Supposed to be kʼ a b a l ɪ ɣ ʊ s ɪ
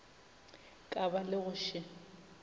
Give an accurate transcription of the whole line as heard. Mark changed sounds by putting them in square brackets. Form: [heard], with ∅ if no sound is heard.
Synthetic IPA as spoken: kʼ a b a l ɪ ɣ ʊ [ʃ] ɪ